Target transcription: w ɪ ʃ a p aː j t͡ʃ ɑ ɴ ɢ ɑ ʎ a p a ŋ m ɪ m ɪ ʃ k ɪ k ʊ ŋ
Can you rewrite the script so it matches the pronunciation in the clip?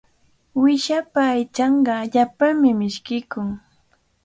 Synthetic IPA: w ɪ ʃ a p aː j t͡ʃ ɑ ɴ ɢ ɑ ʎ a p a ŋ m ɪ m ɪ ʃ k ɪ k ʊ ŋ